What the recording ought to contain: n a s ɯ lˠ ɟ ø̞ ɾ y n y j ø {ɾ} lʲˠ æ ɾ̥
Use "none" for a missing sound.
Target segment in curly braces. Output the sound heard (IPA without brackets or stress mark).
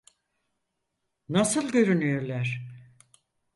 ɾ